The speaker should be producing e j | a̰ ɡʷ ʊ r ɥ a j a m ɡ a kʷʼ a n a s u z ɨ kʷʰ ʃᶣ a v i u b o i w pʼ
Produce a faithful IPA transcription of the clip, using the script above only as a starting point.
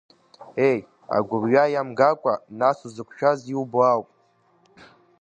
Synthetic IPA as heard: e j | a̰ ɡʷ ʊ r ɥ a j a m ɡ a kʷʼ a n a s u z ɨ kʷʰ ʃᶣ a z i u b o a w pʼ